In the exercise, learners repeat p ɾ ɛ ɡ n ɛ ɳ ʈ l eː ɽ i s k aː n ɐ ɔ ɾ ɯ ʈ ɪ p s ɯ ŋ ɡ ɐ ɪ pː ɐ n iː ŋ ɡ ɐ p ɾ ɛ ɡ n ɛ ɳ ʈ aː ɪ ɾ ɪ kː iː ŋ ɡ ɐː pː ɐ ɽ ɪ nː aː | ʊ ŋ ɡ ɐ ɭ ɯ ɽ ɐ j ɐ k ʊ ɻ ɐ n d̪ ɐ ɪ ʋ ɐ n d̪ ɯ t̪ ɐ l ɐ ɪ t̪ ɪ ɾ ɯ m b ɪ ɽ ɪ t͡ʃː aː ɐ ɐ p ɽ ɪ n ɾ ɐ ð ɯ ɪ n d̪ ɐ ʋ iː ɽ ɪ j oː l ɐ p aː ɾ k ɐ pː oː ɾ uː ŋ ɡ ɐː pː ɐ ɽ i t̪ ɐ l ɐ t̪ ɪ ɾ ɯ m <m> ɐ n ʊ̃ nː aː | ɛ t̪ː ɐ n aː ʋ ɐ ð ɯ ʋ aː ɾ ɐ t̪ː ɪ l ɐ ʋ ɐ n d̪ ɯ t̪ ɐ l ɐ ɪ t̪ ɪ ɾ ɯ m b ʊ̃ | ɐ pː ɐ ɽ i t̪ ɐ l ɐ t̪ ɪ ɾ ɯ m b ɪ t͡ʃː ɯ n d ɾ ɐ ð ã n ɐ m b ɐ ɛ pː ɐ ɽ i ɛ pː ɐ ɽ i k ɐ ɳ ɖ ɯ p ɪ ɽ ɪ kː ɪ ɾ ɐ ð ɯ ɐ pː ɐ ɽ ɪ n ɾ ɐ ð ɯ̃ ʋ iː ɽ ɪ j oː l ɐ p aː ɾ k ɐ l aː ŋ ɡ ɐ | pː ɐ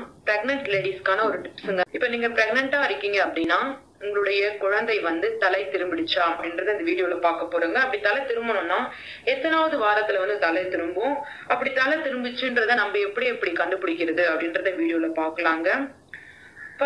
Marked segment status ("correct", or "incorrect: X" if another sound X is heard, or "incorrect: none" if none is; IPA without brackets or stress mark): incorrect: b